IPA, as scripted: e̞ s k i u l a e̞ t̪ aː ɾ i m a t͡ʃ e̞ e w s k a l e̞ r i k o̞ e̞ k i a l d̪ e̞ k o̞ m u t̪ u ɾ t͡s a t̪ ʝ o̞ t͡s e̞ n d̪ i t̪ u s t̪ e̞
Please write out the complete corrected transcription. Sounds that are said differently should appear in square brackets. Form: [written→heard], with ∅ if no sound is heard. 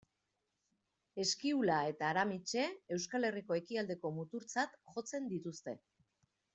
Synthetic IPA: e̞ s k i u l a e̞ t̪ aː ɾ [i→a] m [a→i] t͡ʃ e̞ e w s k a l e̞ r i k o̞ e̞ k i a l d̪ e̞ k o̞ m u t̪ u ɾ t͡s a t̪ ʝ o̞ t͡s e̞ n d̪ i t̪ u s t̪ e̞